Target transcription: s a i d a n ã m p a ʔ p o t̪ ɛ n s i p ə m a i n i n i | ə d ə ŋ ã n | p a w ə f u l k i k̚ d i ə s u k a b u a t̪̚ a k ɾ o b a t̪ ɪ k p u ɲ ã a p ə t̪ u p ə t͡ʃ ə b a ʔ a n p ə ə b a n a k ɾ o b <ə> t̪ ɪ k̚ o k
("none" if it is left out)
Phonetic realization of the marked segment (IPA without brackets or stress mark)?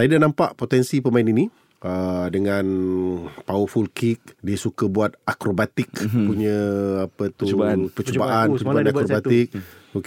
a